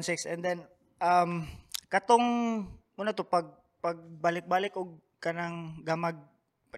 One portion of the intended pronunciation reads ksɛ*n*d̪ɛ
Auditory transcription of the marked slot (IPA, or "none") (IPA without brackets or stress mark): n